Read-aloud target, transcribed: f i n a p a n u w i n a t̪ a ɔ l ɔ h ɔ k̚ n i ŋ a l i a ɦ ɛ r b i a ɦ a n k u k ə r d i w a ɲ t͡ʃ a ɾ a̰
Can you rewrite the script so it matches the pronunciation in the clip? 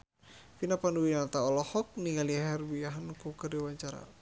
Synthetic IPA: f i n a p a n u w i n a t̪ a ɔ l ɔ h ɔ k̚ n i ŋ a l i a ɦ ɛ r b i a ɦ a n k u k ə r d i w a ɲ t͡ʃ a ɾ a̰